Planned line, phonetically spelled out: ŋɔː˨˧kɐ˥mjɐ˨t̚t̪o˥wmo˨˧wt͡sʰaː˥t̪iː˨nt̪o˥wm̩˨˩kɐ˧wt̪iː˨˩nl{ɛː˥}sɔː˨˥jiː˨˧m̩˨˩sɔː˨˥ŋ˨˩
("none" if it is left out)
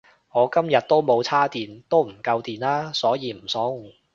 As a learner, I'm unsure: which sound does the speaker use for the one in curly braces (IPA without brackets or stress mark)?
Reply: aː˥